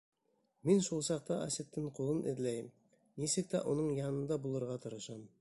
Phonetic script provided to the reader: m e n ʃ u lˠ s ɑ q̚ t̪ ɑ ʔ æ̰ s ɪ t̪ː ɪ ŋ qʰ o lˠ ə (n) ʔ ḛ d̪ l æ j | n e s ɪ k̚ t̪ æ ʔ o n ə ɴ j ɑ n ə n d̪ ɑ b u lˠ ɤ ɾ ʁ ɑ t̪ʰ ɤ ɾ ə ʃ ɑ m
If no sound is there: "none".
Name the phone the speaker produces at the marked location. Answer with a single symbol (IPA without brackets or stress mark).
n